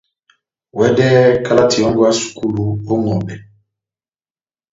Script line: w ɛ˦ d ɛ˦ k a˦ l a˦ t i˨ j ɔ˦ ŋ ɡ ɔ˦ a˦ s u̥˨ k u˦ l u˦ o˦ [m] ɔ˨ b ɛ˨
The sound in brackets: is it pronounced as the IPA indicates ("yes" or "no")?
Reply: no